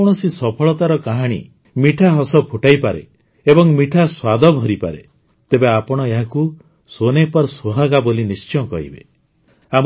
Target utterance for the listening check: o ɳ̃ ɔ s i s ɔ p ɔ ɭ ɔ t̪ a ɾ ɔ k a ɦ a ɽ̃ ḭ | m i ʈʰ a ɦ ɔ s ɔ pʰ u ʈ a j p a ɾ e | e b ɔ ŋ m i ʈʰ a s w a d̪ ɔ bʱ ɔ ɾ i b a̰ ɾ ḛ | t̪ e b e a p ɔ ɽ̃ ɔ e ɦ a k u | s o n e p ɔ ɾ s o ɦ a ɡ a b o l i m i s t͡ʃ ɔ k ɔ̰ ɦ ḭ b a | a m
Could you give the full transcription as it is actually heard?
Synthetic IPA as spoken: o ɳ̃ ɔ s i s ɔ pʰ ɔ ɭ ɔ t̪ a ɾ ɔ k a ɦ a ɽ̃ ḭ | m i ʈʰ a ɦ ɔ s ɔ pʰ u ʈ a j p a ɾ e | e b ɔ ŋ m i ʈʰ a s w a d̪ ɔ bʱ ɔ ɾ i p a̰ ɾ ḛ | t̪ e b e a p ɔ ɽ̃ ɔ e ɦ a k u | s o n e p ɔ ɾ s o ɦ a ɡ a b o l i n i s t͡ʃ ɔ k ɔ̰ ɦ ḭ b e | a m

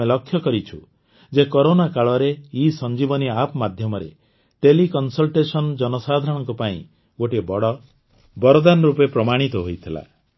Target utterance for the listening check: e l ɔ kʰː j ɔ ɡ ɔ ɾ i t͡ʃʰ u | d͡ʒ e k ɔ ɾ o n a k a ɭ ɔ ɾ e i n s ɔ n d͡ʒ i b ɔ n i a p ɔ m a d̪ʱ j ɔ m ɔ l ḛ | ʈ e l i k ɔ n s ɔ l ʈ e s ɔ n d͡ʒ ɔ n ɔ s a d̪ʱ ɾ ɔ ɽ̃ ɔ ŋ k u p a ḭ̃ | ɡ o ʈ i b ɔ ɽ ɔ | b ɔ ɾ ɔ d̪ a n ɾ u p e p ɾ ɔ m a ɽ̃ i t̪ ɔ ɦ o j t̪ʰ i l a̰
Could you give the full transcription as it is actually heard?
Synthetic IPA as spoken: e l ɔ kʰː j ɔ k ɔ ɾ i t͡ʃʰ u | d͡ʒ e k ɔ ɾ o n a k a ɭ ɔ ɾ e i s ɔ n d͡ʒ i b ɔ n i a p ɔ m a d̪ʱ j ɔ m ɔ ɾ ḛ | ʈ e l i k ɔ n s ɔ l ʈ e s ɔ n d͡ʒ ɔ n ɔ s a d̪ʱ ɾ ɔ ɽ̃ ɔ ŋ k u p a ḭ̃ | ɡ o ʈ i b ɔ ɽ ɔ | b ɔ ɾ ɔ d̪ a n ɾ u p e p ɾ ɔ m a ɽ̃ i t̪ ɔ ɦ o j t̪ʰ i l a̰

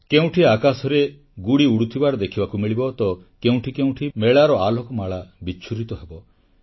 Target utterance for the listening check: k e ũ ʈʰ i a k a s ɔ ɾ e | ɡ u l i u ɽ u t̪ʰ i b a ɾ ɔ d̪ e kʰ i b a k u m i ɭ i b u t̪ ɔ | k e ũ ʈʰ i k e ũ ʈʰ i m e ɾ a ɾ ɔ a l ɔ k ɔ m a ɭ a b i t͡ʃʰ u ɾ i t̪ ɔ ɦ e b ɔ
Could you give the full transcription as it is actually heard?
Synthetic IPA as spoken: k e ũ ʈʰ i a k a s ɔ ɾ e | ɡ u ɽ i u ɽ u t̪ʰ i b a ɾ ɔ d̪ e kʰ i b a k u m i ɭ i b ɔ t̪ ɔ | k e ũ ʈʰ i k e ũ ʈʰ i m e ɭ a ɾ ɔ a l ɔ k ɔ m a ɭ a b i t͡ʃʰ u ɾ i t̪ ɔ ɦ e b ɔ

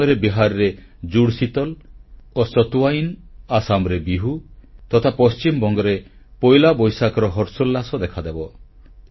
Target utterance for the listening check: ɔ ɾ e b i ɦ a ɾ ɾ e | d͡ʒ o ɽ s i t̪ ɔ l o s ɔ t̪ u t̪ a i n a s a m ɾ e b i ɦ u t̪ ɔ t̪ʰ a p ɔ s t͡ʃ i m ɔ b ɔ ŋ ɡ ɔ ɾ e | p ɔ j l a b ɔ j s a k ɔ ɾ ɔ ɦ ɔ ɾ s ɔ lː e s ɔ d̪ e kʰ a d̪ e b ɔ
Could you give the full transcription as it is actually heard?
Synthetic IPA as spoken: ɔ ɾ e b i ɦ a ɾ ɾ e | d͡ʒ u ɽ s i t̪ ɔ l o s ɔ t̪ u a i n a s a m ɾ e b i ɦ u t̪ ɔ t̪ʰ a p ɔ s t͡ʃ i m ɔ b ɔ ŋ ɡ ɔ ɾ e | p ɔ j l a b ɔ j s a k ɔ ɾ ɔ ɦ ɔ ɾ s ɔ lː a s ɔ d̪ e kʰ a d̪ e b ɔ

